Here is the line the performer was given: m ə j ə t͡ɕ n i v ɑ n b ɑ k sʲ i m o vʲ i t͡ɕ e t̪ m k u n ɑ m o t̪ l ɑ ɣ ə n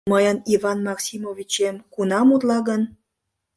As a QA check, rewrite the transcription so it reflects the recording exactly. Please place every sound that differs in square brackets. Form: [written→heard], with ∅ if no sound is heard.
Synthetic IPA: m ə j ə [t͡ɕ→∅] n i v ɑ n [b→m] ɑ k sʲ i m o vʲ i t͡ɕ e [t̪→∅] m k u n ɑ m [o→u] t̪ l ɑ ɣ ə n